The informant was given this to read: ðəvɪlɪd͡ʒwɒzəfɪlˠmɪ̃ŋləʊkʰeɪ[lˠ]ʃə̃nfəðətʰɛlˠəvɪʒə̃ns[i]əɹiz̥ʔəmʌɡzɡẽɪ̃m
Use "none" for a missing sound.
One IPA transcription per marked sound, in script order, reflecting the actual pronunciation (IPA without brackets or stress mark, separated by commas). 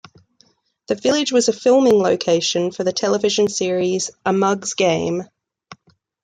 none, ɪ